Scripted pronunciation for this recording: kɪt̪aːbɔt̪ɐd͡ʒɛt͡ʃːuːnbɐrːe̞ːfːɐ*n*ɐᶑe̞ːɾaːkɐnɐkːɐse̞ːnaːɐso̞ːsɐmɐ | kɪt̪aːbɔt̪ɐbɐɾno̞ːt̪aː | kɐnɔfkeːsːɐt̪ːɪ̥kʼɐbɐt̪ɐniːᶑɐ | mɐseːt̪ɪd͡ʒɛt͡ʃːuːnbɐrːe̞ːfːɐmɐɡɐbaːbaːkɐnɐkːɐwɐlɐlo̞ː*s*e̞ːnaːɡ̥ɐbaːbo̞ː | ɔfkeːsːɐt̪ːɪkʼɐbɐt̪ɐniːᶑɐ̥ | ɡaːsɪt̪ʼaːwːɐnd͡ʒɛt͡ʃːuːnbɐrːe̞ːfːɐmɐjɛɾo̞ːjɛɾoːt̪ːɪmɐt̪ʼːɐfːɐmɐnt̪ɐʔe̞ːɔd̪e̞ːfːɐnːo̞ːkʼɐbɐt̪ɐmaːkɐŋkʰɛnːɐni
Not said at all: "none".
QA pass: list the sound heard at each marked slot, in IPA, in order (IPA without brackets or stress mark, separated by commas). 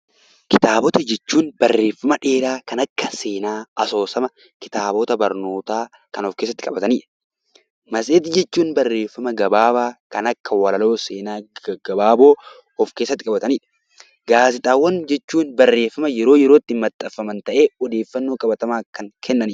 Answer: m, s